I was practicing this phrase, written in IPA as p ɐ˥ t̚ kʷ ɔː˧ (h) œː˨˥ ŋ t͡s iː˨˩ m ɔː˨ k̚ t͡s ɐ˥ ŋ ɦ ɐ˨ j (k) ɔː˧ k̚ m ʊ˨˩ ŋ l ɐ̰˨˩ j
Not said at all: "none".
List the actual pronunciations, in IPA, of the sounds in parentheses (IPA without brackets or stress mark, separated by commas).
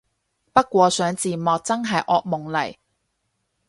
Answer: s, ʔ